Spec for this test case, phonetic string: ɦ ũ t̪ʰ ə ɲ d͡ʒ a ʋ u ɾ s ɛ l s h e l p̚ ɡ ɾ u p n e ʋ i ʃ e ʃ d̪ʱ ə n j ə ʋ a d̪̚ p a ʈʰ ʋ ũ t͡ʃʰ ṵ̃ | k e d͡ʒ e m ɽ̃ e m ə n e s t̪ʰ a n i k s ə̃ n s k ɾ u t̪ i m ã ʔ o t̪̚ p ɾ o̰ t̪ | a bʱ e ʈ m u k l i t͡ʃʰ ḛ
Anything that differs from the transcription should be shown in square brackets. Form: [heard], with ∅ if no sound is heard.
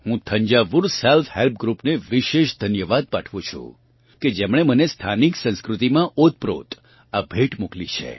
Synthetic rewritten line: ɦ ũ t̪ʰ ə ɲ d͡ʒ a ʋ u ɾ s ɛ l [f] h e l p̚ ɡ ɾ u p n e ʋ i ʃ e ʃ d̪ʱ ə n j ə ʋ a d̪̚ p a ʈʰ ʋ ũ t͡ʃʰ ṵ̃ | k e d͡ʒ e m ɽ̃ e m ə n e s t̪ʰ a n i k s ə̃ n s k ɾ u t̪ i m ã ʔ o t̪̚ p ɾ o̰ t̪ | a bʱ e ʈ m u k l i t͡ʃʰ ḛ